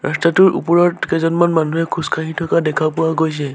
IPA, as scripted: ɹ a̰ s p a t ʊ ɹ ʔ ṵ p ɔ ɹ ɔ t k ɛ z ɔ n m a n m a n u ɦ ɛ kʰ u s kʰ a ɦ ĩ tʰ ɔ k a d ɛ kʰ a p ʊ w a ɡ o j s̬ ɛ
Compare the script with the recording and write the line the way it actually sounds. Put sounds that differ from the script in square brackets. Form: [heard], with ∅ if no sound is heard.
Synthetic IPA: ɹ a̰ s [t] a t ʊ ɹ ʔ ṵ p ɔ ɹ ɔ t k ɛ z ɔ n m a n m a n u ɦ ɛ kʰ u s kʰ a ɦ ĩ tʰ ɔ k a d ɛ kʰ a p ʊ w a ɡ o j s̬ ɛ

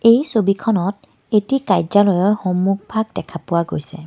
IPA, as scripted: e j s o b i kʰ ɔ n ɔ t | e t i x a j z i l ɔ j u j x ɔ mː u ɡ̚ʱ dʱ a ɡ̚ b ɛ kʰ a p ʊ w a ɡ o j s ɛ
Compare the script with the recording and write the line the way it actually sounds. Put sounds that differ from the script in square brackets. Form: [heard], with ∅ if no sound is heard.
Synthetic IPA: e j s o b i kʰ ɔ n ɔ t | e t i [k] a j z [a] l ɔ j [ɔ] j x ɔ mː u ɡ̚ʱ [bʱ] a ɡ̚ [d] ɛ kʰ a p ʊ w a ɡ o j s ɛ

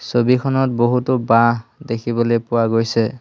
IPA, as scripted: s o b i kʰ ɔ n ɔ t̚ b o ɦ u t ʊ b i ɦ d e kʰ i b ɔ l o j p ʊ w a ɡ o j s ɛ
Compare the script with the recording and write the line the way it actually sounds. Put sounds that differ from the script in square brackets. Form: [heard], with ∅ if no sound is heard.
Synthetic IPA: s o b i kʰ ɔ n ɔ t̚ b o ɦ u t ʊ b [a] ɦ d e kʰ i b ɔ l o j p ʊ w a ɡ o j s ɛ

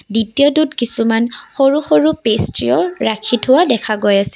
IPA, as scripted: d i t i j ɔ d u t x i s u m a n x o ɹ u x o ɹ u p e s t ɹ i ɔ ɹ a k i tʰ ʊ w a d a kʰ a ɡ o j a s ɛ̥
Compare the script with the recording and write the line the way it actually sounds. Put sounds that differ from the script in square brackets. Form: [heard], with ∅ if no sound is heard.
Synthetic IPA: d i t i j ɔ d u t [k] i s u m a n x o ɹ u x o ɹ u p e s t ɹ i ɔ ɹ a [kʰ] i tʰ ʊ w a d [ɛ] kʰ a ɡ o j a s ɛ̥

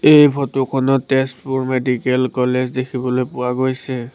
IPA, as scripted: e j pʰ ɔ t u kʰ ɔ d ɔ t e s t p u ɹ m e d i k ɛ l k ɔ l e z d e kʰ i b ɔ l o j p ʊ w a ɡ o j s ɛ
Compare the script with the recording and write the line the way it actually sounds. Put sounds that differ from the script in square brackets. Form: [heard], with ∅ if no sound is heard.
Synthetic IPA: e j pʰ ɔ t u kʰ ɔ [n] ɔ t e s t p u ɹ m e d i k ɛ l k ɔ l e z d e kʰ i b ɔ l o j p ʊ w a ɡ o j s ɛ

